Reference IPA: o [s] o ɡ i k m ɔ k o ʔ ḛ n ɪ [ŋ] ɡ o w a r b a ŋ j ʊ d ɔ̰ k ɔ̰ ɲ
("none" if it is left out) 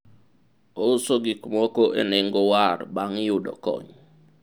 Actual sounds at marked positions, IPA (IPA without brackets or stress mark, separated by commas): s, ŋ